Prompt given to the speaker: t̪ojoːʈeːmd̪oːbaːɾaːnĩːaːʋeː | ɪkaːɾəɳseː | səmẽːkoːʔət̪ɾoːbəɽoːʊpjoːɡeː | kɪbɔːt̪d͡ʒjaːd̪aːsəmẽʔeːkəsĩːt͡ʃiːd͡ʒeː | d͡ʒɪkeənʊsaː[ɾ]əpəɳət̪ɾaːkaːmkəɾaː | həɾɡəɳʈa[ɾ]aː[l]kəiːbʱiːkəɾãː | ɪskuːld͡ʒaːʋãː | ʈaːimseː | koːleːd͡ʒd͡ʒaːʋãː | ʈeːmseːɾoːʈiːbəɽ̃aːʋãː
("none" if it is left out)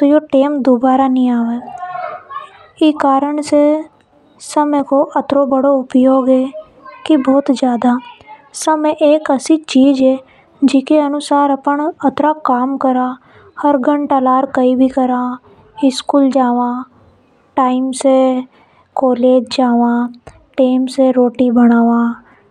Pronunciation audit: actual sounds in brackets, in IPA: ɾ, l, ɾ

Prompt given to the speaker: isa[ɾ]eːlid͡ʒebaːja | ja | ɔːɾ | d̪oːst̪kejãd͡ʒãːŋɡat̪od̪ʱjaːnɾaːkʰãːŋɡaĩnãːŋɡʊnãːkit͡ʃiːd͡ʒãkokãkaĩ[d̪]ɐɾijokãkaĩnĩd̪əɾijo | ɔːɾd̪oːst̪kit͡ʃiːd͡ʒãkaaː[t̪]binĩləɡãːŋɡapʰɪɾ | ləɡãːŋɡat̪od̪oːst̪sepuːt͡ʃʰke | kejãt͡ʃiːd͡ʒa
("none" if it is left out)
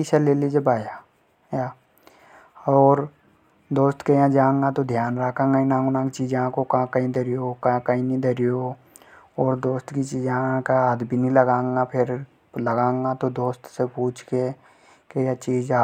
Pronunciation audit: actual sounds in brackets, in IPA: l, d̪, d̪

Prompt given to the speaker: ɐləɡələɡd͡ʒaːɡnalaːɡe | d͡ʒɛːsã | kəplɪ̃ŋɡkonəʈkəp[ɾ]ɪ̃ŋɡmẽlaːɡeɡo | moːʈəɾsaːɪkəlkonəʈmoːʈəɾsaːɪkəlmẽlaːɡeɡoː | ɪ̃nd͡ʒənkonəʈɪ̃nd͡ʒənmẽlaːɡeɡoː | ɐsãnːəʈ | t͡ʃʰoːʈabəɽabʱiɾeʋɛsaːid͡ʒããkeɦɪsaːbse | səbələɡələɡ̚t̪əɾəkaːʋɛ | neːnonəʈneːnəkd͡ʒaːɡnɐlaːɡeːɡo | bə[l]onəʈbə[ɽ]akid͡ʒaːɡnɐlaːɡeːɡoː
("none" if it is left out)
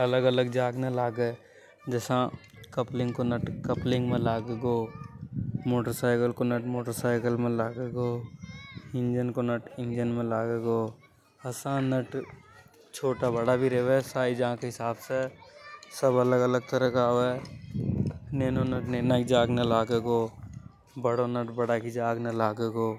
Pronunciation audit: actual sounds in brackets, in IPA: l, ɽ, ɽ

